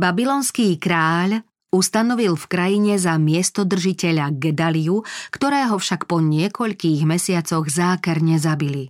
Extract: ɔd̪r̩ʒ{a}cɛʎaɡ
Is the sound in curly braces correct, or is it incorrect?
incorrect